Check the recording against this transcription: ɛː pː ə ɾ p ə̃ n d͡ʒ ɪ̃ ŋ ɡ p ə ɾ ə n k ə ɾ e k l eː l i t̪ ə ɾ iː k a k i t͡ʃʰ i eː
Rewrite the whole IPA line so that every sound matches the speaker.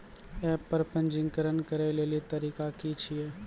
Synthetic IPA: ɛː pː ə ɾ p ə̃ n d͡ʒ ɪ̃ ŋ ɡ k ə ɾ ə n k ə ɾ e l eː l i t̪ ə ɾ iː k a k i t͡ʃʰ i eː